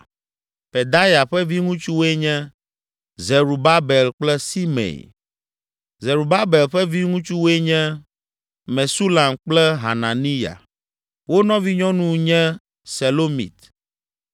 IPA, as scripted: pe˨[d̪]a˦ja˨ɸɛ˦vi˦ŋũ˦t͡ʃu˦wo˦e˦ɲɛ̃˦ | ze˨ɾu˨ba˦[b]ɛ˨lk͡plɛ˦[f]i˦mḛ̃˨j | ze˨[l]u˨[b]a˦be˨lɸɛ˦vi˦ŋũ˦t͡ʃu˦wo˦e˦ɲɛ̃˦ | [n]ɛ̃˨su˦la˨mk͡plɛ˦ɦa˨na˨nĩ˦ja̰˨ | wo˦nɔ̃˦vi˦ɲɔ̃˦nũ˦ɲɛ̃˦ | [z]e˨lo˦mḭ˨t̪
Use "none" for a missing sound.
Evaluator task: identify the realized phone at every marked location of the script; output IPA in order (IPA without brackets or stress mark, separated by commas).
d̪, b, s, ɾ, b, m, s